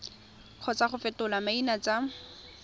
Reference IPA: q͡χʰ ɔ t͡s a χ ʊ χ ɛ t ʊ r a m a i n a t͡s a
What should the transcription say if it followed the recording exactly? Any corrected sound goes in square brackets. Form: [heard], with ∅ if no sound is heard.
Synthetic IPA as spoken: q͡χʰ ɔ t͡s a χ ʊ [f] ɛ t ʊ [l] a m a i n a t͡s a